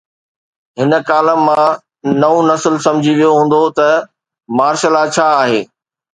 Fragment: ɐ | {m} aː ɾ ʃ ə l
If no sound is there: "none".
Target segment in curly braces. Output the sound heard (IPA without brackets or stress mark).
m